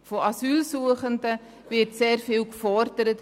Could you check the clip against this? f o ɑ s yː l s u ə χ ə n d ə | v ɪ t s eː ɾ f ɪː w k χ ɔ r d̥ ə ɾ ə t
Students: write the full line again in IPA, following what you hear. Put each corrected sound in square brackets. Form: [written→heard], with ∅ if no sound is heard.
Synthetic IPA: f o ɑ s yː l s u ə χ ə n d ə | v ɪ t s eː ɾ f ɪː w k [χ→f] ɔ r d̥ ə ɾ ə t